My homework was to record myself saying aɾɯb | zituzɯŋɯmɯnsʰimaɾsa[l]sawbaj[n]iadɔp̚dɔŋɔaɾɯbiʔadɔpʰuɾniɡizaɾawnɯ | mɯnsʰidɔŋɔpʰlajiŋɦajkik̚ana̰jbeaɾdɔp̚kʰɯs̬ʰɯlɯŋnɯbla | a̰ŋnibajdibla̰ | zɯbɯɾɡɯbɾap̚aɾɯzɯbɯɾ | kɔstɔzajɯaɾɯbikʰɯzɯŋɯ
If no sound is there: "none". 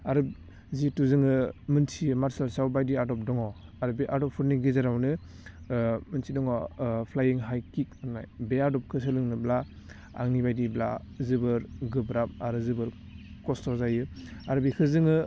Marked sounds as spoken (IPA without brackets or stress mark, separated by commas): l, d